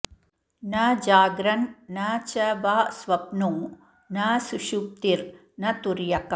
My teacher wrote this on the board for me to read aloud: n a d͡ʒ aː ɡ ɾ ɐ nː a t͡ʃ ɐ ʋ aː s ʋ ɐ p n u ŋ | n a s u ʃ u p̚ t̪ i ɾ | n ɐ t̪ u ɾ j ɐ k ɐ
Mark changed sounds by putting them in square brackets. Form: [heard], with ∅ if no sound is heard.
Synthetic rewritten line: n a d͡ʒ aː ɡ ɾ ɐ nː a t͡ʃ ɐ ʋ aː s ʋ ɐ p n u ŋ | n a s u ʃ u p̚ t̪ i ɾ | n ɐ t̪ u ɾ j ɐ k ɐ